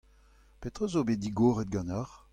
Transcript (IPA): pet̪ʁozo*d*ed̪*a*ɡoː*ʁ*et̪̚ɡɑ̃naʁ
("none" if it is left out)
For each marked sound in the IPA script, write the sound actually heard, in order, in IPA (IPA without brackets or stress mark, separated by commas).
b, i, ʁ